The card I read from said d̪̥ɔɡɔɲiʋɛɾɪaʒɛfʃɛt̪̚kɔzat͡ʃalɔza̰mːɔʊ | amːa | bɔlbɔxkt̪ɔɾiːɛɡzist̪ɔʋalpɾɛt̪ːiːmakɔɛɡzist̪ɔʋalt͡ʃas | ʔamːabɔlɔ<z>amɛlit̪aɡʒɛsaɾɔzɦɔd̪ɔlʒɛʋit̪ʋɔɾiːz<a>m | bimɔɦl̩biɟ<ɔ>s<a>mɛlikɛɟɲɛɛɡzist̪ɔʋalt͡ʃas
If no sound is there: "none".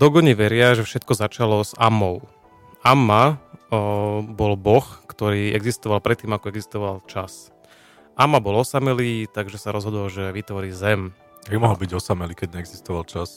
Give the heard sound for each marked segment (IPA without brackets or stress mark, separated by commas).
s, ɛ, ɔ, a